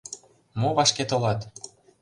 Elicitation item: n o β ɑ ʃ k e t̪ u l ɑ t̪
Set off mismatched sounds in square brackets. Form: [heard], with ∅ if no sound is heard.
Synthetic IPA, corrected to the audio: [m] o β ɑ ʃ k e t̪ [o] l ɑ t̪